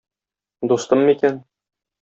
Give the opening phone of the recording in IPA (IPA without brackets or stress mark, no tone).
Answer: d̪